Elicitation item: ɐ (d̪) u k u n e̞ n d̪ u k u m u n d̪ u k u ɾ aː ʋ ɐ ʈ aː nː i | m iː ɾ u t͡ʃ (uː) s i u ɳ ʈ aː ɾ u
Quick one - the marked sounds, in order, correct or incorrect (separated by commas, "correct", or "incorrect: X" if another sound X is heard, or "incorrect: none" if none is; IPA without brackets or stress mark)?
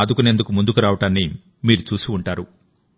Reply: correct, correct